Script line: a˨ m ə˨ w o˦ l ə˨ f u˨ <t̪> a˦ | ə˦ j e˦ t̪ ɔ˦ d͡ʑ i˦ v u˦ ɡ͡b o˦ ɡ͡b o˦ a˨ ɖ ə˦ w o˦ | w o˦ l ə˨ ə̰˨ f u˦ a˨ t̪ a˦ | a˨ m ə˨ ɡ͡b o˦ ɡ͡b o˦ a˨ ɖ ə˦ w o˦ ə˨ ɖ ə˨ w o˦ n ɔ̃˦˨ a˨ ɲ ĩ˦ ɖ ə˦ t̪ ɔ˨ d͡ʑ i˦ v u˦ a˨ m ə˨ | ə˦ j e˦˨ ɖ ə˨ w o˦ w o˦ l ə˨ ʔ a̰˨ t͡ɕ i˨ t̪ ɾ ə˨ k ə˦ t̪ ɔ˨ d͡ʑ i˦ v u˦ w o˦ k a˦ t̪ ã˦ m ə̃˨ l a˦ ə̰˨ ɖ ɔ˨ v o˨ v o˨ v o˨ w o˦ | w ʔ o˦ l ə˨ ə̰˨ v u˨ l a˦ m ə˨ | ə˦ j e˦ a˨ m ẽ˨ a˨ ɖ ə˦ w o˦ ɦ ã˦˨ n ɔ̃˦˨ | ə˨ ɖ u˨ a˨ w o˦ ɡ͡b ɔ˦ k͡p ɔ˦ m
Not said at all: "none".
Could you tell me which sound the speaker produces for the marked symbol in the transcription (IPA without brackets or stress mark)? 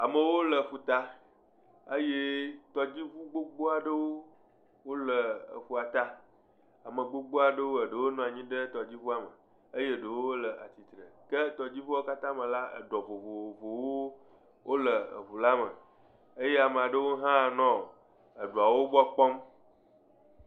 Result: t̪